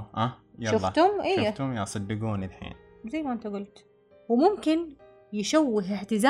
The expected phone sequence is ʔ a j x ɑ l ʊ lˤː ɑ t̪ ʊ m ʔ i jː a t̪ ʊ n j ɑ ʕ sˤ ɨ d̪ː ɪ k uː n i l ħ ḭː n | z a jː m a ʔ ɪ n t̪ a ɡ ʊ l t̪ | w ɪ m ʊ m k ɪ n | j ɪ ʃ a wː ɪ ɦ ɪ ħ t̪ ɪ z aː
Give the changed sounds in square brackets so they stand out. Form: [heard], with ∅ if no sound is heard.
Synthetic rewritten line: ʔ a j [ʃ] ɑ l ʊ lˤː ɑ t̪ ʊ m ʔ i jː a t̪ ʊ [m] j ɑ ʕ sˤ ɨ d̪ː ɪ [ɡ] uː n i l ħ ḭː n | z a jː m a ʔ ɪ n t̪ a ɡ ʊ l t̪ | w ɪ m ʊ m k ɪ n | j ɪ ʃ a wː ɪ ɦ ɪ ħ t̪ ɪ z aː